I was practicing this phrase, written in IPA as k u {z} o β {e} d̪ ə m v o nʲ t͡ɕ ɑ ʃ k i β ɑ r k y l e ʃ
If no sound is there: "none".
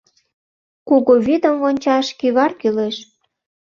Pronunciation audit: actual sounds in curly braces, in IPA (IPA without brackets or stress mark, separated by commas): ɣ, i